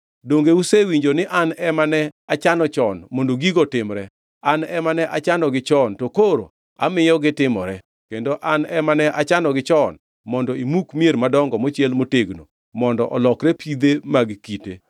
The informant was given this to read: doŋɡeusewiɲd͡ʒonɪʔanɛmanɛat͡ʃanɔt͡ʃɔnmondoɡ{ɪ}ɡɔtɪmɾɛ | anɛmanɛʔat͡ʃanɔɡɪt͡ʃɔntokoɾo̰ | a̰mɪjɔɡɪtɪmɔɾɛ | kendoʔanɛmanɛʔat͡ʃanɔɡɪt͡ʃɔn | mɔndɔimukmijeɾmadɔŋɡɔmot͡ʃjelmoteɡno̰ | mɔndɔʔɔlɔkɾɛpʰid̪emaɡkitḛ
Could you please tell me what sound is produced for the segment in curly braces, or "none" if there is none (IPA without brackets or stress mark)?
i